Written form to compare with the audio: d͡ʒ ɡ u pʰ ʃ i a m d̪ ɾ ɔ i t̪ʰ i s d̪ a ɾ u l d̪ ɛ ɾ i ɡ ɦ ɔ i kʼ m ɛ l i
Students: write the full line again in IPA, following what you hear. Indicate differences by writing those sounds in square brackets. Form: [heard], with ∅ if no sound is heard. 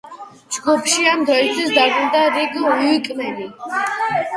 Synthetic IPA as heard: d͡ʒ ɡ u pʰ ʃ i a m d̪ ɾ ɔ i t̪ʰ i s d̪ a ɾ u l d̪ [a] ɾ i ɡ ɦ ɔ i kʼ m ɛ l i